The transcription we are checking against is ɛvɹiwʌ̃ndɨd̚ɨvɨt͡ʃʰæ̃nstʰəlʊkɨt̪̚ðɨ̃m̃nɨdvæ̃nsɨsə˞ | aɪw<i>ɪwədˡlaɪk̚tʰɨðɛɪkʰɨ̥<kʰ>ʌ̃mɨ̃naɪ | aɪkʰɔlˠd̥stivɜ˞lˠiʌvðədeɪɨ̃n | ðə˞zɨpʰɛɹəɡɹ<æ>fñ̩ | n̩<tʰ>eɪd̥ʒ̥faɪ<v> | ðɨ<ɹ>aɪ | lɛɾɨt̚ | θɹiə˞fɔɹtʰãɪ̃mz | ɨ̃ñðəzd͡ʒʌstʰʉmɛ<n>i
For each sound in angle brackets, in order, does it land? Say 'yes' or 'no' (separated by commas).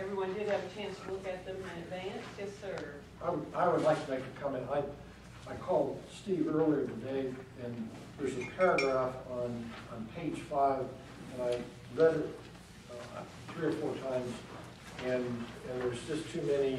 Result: no, yes, yes, no, yes, no, yes